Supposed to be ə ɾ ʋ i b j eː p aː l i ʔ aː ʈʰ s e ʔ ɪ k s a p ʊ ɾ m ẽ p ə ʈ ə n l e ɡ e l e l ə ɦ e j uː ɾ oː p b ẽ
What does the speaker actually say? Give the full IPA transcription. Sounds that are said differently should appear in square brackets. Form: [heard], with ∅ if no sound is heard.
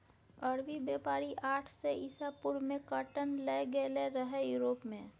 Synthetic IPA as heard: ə ɾ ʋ i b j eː p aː [ɾ] i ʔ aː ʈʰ s e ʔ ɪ [∅] s a p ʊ ɾ m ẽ [k] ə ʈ ə n l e ɡ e l e [ɾ] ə ɦ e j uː ɾ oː p [m] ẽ